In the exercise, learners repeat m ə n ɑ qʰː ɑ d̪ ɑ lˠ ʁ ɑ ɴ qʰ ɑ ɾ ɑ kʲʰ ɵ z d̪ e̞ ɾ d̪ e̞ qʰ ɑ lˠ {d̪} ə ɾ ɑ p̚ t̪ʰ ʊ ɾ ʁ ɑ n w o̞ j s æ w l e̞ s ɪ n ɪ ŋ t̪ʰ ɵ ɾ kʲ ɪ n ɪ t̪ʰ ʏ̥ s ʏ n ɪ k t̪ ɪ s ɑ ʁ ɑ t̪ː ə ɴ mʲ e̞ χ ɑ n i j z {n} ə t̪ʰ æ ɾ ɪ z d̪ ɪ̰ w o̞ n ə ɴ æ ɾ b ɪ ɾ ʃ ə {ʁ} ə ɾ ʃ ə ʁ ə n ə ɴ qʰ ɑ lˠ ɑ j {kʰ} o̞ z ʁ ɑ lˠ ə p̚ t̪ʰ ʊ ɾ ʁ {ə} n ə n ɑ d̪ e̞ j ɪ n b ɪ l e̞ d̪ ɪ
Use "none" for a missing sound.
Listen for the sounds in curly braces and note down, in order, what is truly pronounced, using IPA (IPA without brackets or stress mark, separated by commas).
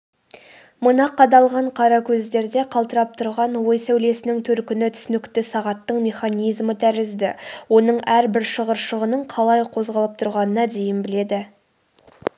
t̪, m, ʁ, qʰ, ɑ